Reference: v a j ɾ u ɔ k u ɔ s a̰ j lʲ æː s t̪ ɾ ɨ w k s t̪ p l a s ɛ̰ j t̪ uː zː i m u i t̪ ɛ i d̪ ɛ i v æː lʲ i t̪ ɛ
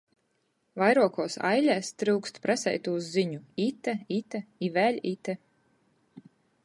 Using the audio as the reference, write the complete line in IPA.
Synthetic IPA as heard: v a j ɾ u ɔ k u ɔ s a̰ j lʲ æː s t̪ ɾ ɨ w k s t̪ p ɾ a s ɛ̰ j t̪ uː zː i ɲ u i t̪ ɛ i t̪ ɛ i v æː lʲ i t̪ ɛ